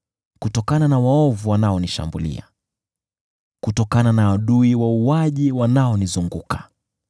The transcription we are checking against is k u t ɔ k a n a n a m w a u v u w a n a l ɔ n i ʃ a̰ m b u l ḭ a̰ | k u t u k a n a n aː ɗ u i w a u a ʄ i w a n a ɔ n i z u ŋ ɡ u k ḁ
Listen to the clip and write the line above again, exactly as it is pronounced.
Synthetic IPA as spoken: k u t ɔ k a n a n a w a ɔ v u w a n a ɔ n i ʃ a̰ m b u l ḭ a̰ | k u t ɔ k a n a n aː ɗ u i w a u a ʄ i w a n a ɔ n i z u ŋ ɡ u k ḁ